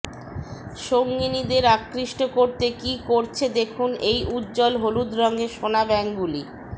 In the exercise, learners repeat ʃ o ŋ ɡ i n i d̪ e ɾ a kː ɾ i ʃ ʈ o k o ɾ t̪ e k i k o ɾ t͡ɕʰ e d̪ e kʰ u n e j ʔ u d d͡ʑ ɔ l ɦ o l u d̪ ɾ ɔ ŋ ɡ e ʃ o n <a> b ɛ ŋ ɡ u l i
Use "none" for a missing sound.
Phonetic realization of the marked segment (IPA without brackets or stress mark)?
a